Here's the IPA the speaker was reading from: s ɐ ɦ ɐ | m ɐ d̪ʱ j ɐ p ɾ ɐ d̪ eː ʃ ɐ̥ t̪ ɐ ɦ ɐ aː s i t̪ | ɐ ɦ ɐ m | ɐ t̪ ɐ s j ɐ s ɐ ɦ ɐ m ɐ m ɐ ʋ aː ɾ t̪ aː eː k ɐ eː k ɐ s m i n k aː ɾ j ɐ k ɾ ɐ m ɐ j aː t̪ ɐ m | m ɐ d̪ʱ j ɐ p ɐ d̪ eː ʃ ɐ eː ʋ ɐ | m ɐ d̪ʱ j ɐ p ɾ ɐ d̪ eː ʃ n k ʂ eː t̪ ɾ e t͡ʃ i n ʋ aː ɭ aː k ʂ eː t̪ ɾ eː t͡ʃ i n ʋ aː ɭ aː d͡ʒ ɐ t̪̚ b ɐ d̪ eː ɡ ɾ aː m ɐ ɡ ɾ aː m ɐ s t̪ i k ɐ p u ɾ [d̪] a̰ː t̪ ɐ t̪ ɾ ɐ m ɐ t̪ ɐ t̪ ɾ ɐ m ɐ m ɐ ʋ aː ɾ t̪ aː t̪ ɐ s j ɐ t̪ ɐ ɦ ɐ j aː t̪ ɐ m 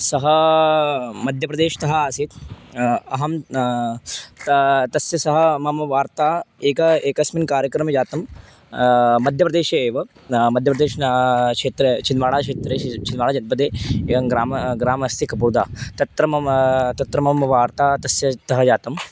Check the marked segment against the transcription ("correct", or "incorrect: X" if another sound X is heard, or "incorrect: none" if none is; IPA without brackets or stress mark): correct